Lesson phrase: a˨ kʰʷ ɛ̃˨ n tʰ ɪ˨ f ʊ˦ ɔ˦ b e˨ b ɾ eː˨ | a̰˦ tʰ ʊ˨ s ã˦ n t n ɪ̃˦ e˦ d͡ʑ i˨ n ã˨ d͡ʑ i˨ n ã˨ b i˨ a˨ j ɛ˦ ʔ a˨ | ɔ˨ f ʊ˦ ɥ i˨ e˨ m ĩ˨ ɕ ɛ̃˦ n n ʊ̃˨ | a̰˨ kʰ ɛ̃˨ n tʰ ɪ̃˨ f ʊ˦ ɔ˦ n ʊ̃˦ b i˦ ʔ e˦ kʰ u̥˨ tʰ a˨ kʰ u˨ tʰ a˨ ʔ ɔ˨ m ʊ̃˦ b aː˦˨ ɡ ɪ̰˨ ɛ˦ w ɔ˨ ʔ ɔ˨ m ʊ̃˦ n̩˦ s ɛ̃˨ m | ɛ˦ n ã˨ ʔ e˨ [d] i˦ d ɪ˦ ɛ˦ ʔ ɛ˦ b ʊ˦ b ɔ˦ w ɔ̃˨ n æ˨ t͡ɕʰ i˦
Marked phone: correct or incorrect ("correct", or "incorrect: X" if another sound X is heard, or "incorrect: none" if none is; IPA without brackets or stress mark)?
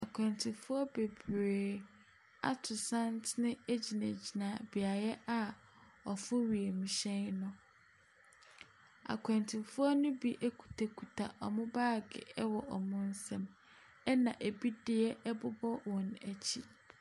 incorrect: b